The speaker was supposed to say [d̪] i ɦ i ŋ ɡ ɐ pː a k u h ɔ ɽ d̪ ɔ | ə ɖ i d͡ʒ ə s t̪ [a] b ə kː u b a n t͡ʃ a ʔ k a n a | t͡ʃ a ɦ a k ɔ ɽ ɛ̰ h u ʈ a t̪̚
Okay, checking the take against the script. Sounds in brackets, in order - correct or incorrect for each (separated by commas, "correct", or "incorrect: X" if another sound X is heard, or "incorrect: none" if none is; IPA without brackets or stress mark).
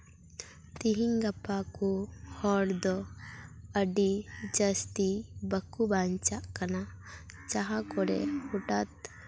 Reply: incorrect: t̪, incorrect: i